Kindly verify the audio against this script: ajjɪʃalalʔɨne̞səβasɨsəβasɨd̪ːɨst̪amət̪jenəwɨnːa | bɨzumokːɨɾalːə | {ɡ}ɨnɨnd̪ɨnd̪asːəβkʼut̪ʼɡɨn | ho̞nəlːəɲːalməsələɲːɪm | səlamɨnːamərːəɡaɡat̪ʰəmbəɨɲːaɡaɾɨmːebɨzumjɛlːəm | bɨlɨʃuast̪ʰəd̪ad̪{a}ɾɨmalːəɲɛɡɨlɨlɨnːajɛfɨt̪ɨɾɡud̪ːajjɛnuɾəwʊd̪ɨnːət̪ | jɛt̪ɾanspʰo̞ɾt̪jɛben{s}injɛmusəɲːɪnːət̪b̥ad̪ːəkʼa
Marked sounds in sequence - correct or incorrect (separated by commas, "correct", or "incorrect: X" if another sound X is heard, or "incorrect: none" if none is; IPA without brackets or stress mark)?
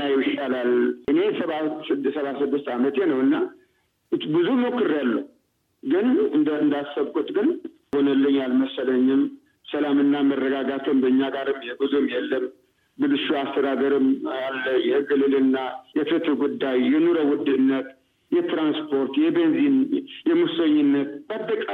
correct, incorrect: ə, incorrect: z